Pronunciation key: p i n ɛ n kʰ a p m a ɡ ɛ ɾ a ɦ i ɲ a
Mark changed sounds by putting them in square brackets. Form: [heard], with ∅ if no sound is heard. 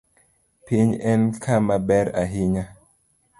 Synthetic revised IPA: p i [ɲ] ɛ n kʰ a [∅] m a [b] ɛ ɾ a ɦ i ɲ a